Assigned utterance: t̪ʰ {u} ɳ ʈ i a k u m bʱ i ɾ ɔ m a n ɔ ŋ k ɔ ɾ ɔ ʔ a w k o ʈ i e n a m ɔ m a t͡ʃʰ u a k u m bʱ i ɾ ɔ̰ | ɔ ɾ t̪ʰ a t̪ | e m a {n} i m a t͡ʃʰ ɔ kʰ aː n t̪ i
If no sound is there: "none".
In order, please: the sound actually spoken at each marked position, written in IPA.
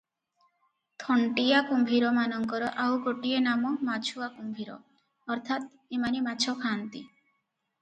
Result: ɔ, n

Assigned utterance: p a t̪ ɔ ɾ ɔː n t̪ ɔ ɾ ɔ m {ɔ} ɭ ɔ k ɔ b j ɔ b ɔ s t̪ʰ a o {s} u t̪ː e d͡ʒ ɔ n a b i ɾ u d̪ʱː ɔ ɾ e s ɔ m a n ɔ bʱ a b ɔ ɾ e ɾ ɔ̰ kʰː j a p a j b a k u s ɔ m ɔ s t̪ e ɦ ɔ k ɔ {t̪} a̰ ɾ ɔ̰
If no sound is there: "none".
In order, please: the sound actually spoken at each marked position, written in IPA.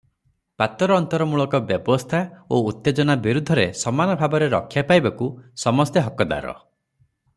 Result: u, none, d̪

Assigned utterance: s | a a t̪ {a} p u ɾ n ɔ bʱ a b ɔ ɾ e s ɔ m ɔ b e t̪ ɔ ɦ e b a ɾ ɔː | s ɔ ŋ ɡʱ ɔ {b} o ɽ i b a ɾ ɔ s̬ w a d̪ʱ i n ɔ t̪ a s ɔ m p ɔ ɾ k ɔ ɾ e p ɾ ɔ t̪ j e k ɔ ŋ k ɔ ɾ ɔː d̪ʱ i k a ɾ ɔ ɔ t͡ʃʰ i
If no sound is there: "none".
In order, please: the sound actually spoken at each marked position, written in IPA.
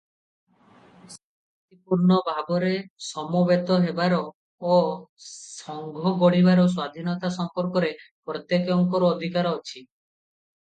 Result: i, ɡ

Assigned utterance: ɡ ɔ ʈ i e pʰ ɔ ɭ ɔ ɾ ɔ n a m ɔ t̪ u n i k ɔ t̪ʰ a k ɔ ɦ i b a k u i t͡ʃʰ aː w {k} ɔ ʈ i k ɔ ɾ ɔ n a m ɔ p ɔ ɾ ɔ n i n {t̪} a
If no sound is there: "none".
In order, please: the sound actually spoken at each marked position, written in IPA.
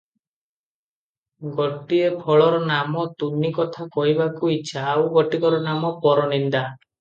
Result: ɡ, d̪

